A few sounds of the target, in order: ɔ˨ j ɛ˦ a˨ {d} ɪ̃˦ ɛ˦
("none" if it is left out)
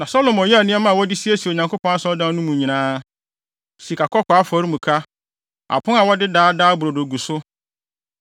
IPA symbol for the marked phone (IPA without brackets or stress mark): n